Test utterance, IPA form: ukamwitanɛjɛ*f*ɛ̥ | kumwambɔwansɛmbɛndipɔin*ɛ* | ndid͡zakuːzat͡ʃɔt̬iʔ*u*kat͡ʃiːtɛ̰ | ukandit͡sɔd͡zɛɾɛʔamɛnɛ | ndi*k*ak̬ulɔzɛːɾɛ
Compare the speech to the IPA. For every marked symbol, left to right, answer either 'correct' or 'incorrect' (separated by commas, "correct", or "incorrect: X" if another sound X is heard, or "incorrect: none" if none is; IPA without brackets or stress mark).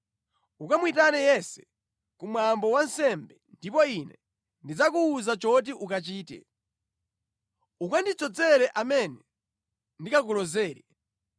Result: incorrect: s, correct, correct, correct